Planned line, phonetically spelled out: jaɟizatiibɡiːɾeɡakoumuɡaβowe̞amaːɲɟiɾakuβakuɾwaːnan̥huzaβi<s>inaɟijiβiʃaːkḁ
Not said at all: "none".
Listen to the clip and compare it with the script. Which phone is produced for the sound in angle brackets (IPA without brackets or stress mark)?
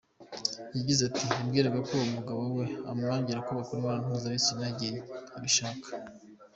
s